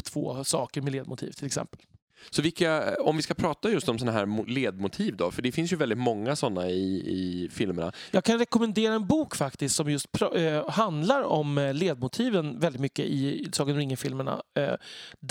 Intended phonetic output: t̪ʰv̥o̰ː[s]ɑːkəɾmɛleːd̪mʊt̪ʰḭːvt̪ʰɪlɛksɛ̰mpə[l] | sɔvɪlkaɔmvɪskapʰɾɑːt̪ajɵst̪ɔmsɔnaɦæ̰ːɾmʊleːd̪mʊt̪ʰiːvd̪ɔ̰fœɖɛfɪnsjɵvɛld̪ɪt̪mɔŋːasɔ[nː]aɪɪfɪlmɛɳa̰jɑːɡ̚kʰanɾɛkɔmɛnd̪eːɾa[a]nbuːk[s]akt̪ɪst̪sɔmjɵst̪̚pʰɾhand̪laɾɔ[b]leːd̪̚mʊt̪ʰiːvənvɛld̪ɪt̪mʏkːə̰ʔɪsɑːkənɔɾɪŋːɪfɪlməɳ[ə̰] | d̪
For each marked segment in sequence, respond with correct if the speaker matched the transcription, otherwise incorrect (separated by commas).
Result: correct, correct, correct, incorrect, incorrect, incorrect, incorrect